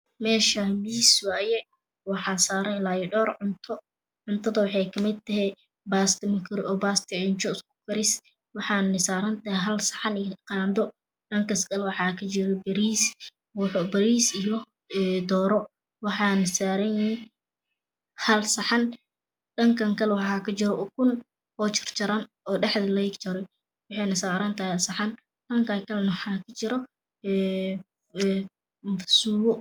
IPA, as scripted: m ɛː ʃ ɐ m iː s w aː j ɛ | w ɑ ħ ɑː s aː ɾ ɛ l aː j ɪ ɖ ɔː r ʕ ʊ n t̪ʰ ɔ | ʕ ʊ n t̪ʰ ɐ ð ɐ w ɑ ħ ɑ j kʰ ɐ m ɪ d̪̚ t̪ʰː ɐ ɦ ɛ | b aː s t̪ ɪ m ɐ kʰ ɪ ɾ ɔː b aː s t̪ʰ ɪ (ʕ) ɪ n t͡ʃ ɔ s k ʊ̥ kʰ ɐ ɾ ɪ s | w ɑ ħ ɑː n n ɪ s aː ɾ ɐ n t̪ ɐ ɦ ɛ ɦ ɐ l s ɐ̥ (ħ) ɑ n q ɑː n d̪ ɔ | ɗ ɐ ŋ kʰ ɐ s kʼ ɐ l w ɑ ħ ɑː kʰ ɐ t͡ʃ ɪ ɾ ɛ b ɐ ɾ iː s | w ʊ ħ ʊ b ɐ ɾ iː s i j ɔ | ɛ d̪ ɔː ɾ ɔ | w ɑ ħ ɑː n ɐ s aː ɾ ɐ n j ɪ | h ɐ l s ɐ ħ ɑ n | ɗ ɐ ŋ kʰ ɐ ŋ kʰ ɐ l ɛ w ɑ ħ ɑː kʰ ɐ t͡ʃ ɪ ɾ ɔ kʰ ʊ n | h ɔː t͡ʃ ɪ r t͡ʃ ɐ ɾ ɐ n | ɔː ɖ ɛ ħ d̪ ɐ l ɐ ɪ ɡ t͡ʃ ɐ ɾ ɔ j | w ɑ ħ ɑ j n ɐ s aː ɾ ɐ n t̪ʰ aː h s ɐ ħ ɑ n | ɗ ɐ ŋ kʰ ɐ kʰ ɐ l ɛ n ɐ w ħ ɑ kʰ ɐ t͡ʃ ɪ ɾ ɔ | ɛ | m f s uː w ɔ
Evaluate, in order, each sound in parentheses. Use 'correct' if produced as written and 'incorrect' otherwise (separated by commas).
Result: correct, correct